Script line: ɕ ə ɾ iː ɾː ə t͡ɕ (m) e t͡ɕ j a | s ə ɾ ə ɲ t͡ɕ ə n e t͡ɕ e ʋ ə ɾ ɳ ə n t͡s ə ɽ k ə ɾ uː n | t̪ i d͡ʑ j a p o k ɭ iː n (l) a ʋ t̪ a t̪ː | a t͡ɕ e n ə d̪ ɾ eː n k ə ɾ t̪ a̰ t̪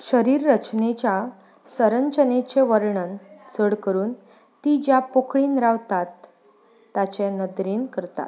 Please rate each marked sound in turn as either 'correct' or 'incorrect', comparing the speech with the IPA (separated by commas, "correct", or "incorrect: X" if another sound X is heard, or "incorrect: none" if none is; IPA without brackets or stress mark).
incorrect: n, incorrect: ɾ